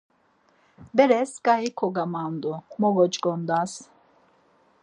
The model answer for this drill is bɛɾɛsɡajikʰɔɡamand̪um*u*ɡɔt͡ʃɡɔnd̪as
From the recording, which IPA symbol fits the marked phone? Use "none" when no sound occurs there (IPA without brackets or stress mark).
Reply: ɔ